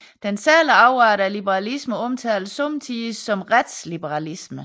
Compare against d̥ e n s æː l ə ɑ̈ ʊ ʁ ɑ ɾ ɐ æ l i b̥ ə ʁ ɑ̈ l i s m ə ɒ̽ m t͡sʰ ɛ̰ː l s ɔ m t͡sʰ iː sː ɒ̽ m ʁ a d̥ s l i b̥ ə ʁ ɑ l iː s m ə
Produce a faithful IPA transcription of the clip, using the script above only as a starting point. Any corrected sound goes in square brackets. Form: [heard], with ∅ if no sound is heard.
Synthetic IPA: d̥ e n s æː l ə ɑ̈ ʊ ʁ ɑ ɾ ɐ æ l i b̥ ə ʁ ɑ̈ l i s m ə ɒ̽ m t͡sʰ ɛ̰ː l s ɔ m t͡sʰ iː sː ɒ̽ m ʁ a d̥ s l i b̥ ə ʁ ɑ l [i] s m ə